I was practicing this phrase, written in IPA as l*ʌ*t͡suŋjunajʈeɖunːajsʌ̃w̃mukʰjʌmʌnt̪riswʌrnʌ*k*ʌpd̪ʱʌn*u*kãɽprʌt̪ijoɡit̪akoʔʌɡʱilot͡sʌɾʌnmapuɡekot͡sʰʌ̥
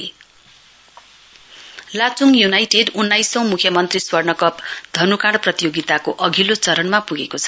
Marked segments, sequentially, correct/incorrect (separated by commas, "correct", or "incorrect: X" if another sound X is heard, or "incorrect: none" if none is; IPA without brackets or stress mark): incorrect: a, correct, correct